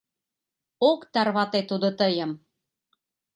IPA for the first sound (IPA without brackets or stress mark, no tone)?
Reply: o